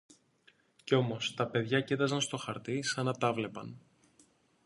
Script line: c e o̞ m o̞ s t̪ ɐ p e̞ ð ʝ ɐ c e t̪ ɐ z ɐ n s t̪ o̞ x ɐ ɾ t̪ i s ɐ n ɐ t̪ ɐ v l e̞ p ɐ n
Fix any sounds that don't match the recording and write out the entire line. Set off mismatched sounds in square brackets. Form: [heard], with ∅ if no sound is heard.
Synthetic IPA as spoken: c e o̞ m o̞ s t̪ ɐ p e̞ ð ʝ ɐ c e t̪ ɐ z ɐ n s t̪ o̞ x ɐ ɾ t̪ i s ɐ n ɐ t̪ ɐ v l e̞ p ɐ n